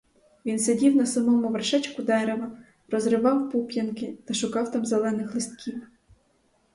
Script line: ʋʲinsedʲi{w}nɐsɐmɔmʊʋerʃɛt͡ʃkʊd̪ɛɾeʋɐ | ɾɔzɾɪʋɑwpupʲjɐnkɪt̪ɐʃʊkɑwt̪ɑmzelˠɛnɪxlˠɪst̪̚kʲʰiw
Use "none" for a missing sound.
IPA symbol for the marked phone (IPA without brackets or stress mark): w